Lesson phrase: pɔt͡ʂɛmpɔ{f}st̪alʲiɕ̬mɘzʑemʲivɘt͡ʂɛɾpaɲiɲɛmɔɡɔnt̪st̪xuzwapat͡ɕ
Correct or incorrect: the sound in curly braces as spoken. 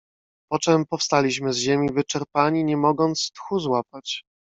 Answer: correct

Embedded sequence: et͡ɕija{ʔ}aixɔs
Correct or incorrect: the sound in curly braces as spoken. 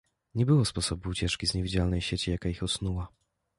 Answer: incorrect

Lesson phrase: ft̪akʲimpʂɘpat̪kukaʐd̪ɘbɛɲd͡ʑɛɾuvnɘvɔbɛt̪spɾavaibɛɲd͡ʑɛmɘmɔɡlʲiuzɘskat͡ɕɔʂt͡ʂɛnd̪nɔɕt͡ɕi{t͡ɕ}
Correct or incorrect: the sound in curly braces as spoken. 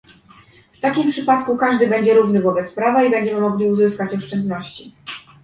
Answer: incorrect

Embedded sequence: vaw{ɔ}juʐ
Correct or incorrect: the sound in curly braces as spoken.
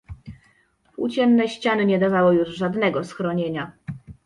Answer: correct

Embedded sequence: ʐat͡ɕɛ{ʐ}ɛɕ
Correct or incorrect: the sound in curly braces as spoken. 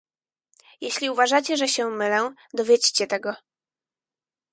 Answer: correct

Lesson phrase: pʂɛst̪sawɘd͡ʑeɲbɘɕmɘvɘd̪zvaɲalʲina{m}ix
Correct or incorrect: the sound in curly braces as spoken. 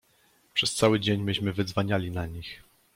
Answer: incorrect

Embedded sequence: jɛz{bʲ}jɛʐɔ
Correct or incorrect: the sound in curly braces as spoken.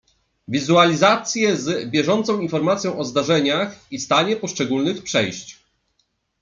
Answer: correct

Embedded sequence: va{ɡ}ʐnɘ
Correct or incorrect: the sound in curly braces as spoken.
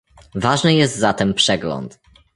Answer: incorrect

